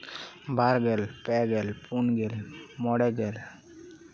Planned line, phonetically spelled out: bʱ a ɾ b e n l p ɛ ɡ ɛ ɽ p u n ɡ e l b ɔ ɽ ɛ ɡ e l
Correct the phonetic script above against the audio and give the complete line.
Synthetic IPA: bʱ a ɾ ɡ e l p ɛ ɡ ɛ l p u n ɡ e l m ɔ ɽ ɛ ɡ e l